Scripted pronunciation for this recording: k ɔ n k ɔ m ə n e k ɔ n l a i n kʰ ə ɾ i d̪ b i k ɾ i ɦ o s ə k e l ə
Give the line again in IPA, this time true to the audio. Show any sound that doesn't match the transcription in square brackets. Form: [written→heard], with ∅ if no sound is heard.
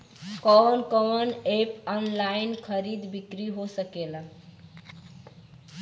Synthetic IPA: k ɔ n k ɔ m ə n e [k→p] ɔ n l a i n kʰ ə ɾ i d̪ b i k ɾ i ɦ o s ə k e l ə